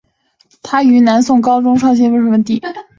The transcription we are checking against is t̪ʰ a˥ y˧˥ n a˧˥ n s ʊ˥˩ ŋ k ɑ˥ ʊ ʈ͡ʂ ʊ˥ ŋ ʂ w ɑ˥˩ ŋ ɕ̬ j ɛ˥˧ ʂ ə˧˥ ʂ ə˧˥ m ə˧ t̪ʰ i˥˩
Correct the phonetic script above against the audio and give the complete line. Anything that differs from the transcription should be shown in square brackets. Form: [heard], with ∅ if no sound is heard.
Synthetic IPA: t̪ʰ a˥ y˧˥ n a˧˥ n s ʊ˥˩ ŋ k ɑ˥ ʊ ʈ͡ʂ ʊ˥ ŋ ʂ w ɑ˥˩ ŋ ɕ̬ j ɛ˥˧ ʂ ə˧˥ ʂ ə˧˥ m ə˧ [t̪] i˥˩